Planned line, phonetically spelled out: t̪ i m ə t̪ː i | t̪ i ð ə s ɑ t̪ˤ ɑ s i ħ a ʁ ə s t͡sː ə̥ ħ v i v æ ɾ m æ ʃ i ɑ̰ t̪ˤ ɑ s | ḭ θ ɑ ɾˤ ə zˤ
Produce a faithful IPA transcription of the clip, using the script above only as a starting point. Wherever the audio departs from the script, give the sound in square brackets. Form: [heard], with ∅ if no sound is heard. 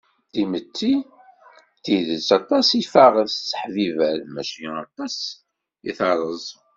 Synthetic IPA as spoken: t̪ i m ə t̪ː i | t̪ i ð ə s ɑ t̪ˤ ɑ s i [f] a ʁ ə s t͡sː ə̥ ħ v i v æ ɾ m æ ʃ i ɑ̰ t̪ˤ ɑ s | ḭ θ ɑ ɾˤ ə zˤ

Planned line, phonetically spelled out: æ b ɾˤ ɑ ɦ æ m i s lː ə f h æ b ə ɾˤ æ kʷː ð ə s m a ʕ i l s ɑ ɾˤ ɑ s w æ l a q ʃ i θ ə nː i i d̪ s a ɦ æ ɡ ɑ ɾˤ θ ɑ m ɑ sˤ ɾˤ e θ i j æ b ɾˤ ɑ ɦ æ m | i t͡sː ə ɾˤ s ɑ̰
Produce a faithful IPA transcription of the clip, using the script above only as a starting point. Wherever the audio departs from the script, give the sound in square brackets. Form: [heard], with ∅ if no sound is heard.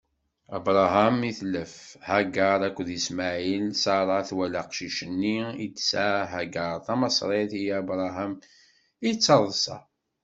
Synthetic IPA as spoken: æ b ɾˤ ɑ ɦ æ m i [θ] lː ə f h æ [ɡ] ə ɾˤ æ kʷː ð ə s m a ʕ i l s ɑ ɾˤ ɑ [θ] w æ l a q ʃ i [ʃ] ə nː i i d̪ s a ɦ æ ɡ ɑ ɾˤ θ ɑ m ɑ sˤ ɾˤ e θ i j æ b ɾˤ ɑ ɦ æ m | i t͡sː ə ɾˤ s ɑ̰

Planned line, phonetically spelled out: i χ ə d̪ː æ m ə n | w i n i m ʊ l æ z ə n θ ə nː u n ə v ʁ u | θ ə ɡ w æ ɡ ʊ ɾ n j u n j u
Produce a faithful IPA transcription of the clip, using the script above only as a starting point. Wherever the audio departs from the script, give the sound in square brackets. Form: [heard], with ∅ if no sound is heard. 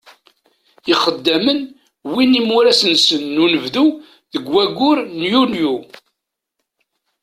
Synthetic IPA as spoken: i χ ə d̪ː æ m ə n | w i n i m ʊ [ɾ] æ [s] ə n [s] ə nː u n ə v [ð] u | [ð] ə ɡ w æ ɡ ʊ ɾ n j u n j u

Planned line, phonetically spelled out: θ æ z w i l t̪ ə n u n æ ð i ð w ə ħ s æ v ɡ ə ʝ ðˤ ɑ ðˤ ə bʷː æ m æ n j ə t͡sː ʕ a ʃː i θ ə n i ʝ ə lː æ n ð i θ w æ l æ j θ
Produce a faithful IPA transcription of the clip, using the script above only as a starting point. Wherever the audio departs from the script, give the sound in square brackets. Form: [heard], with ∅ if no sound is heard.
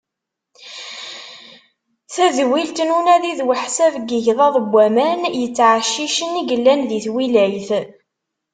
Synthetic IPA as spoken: θ æ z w i l t̪ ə n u n æ ð i ð w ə ħ s æ v ɡ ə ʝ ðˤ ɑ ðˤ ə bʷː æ m æ n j ə t͡sː ʕ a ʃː i [ʃ] ə n i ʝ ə lː æ n ð i θ w [i] l æ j θ

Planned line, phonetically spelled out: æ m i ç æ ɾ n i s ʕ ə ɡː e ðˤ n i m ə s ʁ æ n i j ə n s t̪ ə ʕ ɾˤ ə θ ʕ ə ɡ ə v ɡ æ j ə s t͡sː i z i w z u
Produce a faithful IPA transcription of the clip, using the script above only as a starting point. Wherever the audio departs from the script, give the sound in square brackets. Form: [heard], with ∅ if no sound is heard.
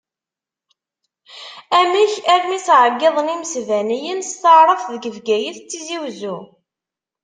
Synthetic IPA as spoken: æ m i ç æ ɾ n i s ʕ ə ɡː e ðˤ n i m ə s [v] æ n i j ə n s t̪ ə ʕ ɾˤ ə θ [ð] ə ɡ ə v ɡ æ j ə [θ] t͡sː i z i w z u

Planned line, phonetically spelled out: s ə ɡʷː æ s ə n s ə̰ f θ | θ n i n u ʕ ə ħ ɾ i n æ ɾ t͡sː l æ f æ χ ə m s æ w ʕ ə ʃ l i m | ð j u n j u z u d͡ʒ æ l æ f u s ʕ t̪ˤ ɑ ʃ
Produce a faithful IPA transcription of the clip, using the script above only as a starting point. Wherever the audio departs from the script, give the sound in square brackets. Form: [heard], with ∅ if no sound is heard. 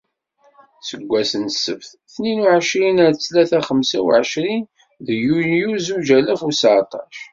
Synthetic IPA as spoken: s ə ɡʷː æ s ə n s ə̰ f θ | θ n i n u ʕ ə [ʃ] ɾ i n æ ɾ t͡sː l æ [θ] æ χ ə m s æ w ʕ ə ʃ [ɾ] i [n] | ð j u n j u z u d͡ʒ æ l æ f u s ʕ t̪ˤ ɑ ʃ

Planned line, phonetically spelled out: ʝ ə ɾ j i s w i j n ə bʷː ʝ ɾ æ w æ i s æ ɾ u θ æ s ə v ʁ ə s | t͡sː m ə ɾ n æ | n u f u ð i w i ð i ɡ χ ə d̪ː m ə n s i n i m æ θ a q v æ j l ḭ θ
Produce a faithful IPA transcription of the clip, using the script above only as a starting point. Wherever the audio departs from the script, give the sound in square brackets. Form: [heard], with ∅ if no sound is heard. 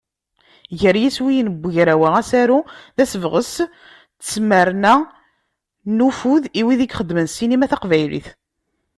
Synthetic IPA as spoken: ʝ ə ɾ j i s w i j n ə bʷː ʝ ɾ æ w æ [æ] s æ ɾ u [ð] æ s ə v ʁ ə s | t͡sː m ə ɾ n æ | n u f u ð i w i ð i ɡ χ ə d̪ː m ə n s i n i m æ θ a q v æ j l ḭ θ

